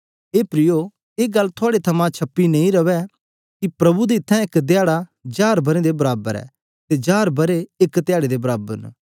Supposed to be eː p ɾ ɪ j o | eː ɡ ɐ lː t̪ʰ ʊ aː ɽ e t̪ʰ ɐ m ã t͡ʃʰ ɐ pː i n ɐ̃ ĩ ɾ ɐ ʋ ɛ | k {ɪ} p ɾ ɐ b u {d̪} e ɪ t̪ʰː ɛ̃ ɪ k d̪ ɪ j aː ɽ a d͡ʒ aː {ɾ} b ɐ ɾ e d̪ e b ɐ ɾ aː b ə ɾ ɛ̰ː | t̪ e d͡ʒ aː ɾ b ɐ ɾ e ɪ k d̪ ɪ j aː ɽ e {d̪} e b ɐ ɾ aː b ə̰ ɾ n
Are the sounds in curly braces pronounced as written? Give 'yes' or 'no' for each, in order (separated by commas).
no, yes, yes, yes